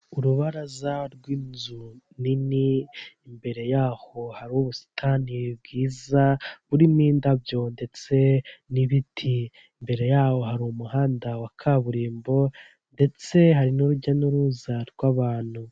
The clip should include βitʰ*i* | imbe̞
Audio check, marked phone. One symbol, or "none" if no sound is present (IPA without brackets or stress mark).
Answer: i